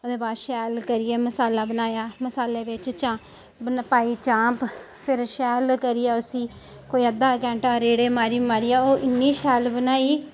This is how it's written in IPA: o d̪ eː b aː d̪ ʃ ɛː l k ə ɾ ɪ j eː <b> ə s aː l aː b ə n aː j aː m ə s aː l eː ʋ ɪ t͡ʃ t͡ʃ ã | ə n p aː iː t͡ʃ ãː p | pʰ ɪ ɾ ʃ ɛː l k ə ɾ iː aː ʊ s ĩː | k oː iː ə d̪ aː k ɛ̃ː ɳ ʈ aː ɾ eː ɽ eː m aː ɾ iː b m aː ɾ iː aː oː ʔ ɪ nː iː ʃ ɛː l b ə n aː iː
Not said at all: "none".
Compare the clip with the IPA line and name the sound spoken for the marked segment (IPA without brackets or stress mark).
m